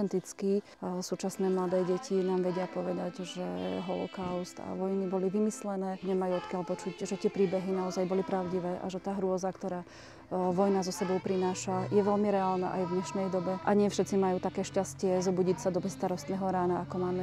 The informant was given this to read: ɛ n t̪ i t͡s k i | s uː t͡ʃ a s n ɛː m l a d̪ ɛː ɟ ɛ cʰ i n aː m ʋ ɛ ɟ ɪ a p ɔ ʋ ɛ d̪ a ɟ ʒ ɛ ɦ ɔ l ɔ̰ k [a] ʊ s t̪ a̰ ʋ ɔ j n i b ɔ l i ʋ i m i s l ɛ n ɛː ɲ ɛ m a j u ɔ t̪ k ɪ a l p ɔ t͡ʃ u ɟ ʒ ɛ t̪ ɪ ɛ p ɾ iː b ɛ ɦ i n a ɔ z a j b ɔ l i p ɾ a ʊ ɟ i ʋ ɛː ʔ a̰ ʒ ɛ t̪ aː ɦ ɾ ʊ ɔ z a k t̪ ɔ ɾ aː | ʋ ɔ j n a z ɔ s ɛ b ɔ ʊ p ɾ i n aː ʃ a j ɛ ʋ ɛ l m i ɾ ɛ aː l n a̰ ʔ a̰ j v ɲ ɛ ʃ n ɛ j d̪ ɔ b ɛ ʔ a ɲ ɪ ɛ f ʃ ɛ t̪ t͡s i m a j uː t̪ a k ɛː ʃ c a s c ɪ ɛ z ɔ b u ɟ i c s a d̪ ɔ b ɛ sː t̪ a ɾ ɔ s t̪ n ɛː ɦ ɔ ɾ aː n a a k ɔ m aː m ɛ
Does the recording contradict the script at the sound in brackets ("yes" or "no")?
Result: no